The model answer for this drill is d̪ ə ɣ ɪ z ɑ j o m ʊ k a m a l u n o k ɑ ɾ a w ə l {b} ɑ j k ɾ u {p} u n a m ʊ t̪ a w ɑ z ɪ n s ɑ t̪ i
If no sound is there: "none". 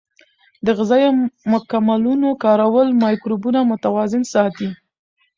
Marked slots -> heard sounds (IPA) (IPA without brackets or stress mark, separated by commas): m, b